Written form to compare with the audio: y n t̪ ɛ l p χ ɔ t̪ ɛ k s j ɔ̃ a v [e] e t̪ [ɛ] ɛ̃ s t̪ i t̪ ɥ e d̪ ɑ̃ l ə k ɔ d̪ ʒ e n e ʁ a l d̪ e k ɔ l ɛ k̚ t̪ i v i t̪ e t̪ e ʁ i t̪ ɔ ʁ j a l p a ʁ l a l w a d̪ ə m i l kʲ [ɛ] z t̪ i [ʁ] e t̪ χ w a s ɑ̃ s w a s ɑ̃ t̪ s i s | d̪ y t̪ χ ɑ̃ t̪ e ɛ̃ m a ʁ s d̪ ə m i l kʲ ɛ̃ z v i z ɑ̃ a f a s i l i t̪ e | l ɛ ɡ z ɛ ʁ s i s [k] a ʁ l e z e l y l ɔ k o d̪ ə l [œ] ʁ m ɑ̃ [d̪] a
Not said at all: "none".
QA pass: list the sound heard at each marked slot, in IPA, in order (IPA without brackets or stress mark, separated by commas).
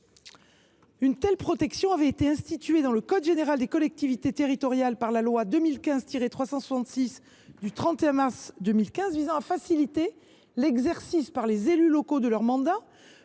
ɛ, e, ɛ̃, ʁ, p, œ, d̪